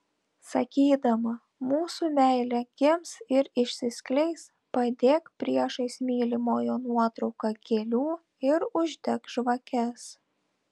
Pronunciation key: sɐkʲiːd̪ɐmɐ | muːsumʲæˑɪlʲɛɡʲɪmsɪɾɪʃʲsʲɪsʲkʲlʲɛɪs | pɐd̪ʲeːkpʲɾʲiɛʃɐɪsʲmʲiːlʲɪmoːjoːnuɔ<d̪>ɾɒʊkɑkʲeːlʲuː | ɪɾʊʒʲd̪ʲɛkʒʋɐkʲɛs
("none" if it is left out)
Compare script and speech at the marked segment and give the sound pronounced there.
t̪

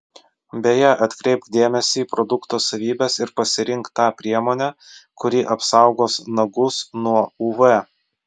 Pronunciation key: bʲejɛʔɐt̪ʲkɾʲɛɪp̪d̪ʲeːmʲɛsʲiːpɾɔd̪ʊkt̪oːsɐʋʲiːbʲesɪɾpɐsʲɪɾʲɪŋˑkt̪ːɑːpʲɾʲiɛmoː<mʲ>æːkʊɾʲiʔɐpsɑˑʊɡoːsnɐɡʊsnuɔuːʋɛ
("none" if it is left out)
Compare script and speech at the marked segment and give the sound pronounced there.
nʲ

